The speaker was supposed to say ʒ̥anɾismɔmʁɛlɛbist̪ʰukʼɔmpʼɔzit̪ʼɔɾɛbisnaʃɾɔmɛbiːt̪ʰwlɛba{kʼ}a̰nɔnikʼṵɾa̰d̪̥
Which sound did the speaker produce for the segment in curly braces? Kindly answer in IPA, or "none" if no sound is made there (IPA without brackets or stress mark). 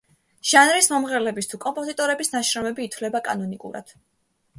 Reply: kʼ